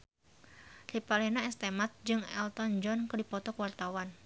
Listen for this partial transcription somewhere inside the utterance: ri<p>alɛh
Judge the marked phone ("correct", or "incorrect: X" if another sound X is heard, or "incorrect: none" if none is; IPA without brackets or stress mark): correct